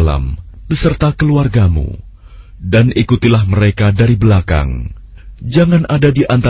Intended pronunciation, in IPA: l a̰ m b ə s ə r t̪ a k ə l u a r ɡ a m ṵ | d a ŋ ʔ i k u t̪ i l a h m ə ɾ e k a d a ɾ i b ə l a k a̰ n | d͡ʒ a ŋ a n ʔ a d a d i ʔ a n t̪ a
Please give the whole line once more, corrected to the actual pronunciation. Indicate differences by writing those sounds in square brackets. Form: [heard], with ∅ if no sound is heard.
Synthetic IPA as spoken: l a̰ m b ə s ə r t̪ a k ə l u a r ɡ a m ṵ | d a [n] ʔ i k u t̪ i l a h m ə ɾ e k a d a ɾ i b ə l a k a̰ [ŋ] | d͡ʒ a ŋ a n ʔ a d a d i ʔ a n t̪ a